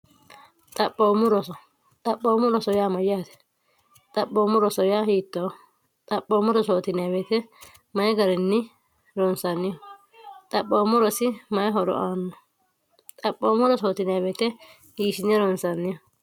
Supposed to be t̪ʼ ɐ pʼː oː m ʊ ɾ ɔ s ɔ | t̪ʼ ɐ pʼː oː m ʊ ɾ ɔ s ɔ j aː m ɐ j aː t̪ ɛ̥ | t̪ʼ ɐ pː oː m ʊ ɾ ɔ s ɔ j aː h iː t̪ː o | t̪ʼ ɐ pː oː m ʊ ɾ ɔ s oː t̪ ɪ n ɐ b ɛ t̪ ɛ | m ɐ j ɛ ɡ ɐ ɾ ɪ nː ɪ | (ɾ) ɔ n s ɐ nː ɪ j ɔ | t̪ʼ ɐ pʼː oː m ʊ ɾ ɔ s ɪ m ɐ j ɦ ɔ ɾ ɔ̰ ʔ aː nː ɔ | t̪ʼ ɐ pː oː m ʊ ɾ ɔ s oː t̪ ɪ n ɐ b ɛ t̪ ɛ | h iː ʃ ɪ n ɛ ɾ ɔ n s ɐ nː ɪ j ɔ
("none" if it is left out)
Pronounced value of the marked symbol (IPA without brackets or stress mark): ɾ